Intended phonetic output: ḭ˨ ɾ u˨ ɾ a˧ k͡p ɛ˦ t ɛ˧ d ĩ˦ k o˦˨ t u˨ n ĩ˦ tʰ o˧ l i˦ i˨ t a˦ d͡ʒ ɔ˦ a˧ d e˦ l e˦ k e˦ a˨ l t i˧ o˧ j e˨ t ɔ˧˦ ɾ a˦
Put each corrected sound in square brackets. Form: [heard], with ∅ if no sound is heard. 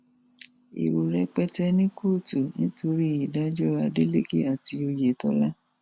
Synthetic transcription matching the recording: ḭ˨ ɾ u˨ ɾ [ɛ˧] k͡p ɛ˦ t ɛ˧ [n] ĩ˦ k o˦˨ t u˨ n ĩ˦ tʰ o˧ [ɾ] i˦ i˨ [d] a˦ d͡ʒ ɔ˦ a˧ d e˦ l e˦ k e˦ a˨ [∅] t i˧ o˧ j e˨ t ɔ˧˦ [l] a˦